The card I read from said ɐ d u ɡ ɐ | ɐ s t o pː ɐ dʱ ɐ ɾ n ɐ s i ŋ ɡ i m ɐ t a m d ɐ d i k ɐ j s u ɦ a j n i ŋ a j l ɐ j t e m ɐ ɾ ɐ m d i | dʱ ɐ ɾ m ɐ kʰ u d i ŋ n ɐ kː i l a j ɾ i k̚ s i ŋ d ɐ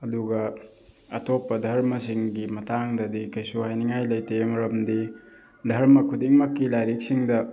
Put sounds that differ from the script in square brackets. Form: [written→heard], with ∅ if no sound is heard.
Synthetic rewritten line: ɐ d u ɡ ɐ | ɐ [s→∅] t o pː ɐ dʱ ɐ ɾ [n→m] ɐ s i ŋ ɡ i m ɐ t a [m→ŋ] d ɐ d i k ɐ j s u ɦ a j n i ŋ a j l ɐ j t e m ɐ ɾ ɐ m d i | dʱ ɐ ɾ m ɐ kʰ u d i ŋ [n→m] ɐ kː i l a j ɾ i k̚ s i ŋ d ɐ